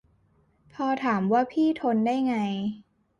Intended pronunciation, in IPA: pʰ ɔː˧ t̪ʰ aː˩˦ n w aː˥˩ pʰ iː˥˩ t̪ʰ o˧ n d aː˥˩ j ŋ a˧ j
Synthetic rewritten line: pʰ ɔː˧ t̪ʰ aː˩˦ m w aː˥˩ pʰ iː˥˩ t̪ʰ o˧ n d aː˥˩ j ŋ a˧ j